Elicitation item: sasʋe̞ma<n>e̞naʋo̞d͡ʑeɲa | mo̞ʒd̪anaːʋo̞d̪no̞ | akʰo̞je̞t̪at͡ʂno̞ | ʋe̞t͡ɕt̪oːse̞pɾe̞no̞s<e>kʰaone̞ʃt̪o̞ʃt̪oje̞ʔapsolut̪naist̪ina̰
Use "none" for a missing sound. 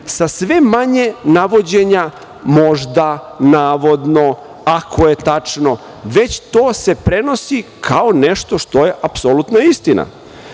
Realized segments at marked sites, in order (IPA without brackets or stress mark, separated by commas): ɲ, i